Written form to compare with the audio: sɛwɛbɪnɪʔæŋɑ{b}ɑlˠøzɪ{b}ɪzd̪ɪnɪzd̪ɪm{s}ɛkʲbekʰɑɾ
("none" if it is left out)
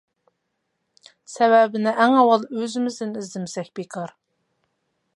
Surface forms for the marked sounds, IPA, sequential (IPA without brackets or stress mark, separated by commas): w, m, s